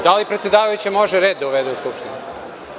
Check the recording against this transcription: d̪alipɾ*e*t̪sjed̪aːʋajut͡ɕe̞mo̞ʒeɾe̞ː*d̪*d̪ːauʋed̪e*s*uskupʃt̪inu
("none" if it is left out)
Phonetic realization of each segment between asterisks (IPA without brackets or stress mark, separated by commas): e, d̪, none